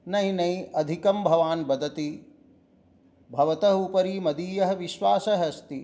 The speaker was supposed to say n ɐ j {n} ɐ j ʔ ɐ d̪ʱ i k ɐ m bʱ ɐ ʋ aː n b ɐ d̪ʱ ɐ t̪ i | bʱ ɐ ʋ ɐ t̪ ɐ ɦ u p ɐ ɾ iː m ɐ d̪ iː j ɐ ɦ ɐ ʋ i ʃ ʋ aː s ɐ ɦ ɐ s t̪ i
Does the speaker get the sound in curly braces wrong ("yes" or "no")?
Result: no